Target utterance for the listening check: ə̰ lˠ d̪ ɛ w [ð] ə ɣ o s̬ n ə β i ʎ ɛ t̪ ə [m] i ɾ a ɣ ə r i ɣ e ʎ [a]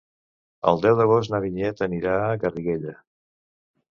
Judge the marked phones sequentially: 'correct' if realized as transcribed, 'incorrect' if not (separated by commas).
correct, incorrect, incorrect